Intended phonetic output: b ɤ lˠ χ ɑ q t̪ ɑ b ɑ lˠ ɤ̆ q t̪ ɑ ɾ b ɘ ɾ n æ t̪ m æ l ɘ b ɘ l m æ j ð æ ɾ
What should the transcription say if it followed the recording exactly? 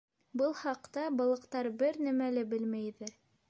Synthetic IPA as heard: b ɤ lˠ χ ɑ q t̪ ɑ b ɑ lˠ ɤ̆ q t̪ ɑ ɾ b ɘ ɾ n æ m æ l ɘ b ɘ l m æ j ð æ ɾ